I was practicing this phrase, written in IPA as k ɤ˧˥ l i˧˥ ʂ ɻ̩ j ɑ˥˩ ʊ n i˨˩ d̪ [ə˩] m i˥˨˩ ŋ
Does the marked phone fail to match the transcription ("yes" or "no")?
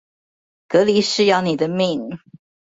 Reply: yes